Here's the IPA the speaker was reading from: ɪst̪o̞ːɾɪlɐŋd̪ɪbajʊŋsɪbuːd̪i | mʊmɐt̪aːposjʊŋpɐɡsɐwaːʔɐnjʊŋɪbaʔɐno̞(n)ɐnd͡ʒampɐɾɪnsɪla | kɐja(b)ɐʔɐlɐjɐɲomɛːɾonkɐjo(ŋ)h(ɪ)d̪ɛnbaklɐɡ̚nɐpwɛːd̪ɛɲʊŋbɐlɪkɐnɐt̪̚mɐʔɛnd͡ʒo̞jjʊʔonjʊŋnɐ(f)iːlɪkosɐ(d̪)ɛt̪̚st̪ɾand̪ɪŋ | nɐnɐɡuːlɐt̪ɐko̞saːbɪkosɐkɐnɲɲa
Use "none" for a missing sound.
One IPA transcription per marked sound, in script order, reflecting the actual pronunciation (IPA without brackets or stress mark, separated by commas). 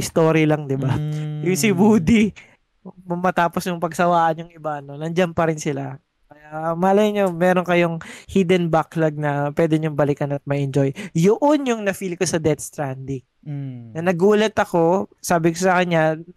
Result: n, m, ŋ, i, f, d̪